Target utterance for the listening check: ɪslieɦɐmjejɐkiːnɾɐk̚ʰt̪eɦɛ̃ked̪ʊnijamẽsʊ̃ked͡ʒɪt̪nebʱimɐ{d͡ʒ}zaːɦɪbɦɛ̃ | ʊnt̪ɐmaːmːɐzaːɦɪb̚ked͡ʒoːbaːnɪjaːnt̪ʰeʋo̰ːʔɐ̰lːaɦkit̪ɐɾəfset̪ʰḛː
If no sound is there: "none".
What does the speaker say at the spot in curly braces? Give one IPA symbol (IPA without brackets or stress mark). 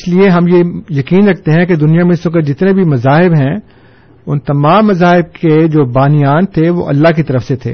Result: none